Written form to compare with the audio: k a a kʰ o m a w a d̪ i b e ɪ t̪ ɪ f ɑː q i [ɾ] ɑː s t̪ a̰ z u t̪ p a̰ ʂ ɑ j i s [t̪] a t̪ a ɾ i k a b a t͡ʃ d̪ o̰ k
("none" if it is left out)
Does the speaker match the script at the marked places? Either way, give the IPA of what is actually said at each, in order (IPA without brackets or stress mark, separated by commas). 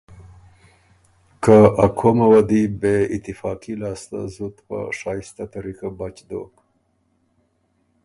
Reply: l, t̪